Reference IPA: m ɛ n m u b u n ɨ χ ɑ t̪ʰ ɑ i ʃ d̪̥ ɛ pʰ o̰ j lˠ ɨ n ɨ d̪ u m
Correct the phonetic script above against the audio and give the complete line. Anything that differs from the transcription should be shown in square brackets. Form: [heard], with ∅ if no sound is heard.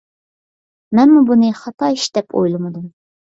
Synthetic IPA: m ɛ n m u b u n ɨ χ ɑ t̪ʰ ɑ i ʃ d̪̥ ɛ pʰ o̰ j lˠ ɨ [m] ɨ d̪ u m